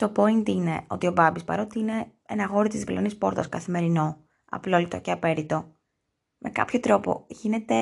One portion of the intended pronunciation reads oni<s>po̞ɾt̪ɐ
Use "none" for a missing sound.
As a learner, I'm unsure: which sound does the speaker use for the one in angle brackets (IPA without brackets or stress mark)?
s